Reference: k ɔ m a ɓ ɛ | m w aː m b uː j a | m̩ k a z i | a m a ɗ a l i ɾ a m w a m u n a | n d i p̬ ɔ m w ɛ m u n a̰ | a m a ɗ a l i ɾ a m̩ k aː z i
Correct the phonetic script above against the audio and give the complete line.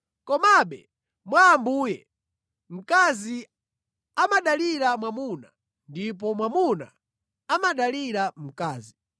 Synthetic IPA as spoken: k ɔ m a ɓ ɛ | m w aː m b uː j ɛ | m̩ k a z i | a m a ɗ a l i ɾ a m w a m u n a | n d i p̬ ɔ m w a m u n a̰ | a m a ɗ a l i ɾ a m̩ k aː z i